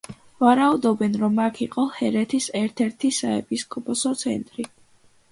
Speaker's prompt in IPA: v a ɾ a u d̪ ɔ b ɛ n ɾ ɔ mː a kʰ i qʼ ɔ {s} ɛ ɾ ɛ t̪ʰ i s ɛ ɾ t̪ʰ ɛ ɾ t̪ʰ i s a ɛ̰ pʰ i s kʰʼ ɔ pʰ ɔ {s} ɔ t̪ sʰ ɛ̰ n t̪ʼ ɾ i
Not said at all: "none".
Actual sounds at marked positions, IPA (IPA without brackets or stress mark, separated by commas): h, s